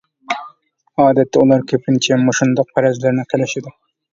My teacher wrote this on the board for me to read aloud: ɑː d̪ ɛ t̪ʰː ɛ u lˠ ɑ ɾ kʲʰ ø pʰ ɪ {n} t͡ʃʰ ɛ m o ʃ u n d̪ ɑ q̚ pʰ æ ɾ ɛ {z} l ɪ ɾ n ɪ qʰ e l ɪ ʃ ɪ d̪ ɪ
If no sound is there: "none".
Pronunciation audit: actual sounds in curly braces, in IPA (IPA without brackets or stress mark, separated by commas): n, z